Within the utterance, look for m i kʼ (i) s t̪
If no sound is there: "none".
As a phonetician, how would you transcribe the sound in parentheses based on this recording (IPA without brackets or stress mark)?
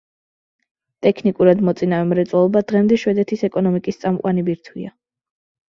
i